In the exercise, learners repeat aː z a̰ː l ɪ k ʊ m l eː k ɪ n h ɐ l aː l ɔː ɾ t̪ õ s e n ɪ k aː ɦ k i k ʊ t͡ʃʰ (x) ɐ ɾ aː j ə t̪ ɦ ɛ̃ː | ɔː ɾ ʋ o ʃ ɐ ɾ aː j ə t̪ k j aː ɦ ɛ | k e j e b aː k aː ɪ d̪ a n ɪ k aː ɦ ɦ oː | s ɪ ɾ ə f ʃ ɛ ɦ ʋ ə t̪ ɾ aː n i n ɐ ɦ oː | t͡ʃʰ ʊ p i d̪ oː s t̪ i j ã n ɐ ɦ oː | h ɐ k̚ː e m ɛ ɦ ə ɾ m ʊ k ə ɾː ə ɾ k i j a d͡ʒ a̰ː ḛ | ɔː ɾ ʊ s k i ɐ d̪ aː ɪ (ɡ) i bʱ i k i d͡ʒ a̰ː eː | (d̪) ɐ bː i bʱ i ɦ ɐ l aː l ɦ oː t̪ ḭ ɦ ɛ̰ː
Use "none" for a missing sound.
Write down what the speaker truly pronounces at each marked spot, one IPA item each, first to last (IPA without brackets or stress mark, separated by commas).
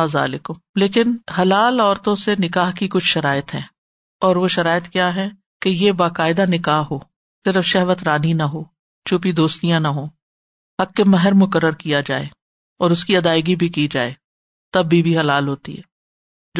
ʃ, ɡ, t̪